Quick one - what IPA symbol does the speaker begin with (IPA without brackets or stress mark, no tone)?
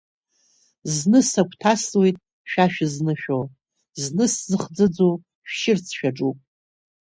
z